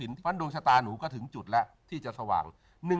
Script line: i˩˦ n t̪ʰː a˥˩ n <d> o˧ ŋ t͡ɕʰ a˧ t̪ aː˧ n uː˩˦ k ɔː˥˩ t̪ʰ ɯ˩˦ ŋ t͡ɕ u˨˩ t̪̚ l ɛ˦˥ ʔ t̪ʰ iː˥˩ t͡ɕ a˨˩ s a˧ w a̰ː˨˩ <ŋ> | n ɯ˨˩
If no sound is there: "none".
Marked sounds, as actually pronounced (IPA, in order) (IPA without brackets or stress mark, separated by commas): d, ŋ